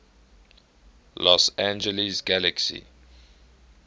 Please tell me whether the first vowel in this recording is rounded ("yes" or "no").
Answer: yes